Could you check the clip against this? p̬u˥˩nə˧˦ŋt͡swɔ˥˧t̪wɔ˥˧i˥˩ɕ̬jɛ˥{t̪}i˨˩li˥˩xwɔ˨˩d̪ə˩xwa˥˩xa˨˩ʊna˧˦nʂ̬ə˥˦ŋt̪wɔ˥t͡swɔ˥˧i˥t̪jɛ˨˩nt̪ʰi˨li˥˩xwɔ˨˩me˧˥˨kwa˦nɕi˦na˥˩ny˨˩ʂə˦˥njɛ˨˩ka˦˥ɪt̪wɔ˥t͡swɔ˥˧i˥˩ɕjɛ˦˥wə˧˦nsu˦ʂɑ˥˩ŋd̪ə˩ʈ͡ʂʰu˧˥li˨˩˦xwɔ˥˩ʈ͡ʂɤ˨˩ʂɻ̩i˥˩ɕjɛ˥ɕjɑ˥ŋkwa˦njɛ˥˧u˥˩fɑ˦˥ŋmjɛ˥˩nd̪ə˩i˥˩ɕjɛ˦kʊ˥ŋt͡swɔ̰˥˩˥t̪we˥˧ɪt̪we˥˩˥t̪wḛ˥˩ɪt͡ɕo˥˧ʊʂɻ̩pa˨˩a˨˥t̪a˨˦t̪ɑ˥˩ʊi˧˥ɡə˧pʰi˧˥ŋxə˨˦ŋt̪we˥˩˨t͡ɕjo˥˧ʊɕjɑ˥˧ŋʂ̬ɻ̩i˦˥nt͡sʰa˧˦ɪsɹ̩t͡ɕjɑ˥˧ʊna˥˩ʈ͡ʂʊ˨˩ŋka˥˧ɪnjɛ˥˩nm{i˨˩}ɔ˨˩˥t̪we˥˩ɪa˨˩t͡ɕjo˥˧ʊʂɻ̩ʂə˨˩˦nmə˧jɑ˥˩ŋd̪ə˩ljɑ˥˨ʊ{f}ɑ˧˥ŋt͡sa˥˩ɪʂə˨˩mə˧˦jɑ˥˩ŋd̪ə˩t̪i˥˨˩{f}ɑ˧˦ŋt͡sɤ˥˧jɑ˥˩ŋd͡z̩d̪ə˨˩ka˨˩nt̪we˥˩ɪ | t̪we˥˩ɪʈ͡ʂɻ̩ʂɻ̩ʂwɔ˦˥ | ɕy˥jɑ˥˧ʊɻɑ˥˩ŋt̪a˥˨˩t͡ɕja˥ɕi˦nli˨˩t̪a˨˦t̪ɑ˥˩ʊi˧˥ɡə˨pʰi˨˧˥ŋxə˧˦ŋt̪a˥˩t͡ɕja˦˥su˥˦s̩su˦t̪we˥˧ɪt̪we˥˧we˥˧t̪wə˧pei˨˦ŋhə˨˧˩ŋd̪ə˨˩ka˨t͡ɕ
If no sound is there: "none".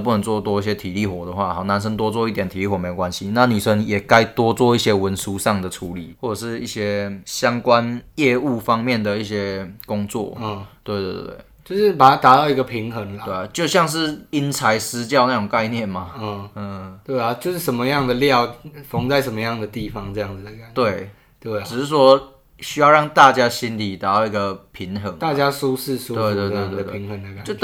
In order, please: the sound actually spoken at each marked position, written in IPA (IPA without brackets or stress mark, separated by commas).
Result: t̪ʰ, a˨˩, f, f